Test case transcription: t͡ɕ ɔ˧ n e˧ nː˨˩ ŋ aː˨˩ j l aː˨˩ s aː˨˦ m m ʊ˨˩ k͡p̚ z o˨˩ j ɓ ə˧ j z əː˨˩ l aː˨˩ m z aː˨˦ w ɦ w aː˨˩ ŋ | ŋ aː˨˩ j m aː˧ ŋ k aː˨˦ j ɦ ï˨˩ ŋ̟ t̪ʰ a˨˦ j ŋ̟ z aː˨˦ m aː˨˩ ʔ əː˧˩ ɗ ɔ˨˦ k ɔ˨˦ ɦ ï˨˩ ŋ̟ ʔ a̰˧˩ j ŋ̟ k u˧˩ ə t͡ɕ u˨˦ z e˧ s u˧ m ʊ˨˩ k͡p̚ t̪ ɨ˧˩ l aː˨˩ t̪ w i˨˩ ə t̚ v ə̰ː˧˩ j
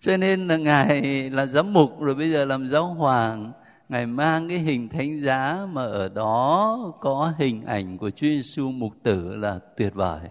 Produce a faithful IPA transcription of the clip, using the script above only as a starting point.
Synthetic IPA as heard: t͡ɕ ɔ˧ n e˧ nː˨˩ ŋ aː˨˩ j l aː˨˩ z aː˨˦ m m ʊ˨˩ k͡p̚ z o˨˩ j ɓ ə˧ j z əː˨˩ l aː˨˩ m z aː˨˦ w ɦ w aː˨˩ ŋ | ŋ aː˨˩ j m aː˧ ŋ k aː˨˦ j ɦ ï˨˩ ŋ̟ t̪ʰ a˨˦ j ŋ̟ z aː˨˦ m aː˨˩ ʔ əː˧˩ ɗ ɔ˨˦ k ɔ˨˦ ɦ ï˨˩ ŋ̟ ʔ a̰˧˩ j ŋ̟ k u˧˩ ə t͡ɕ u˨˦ z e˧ s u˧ m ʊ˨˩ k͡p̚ t̪ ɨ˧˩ l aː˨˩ t̪ w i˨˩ ə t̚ v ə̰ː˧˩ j